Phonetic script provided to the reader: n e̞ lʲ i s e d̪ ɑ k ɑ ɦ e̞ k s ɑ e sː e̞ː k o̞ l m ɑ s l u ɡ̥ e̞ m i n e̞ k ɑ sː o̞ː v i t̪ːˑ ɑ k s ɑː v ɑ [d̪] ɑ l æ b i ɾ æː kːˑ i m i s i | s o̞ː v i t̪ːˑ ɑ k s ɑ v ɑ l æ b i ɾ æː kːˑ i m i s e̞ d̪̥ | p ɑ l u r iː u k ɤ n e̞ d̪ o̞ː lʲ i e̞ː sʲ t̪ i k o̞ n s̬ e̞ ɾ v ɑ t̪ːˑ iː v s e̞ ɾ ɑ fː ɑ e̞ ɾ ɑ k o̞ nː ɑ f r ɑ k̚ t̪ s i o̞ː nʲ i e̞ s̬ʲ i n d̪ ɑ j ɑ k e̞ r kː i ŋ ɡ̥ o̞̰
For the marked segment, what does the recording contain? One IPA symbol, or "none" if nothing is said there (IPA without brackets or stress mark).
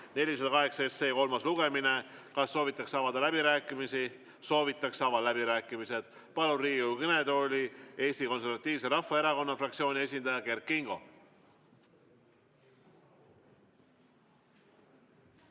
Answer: d̪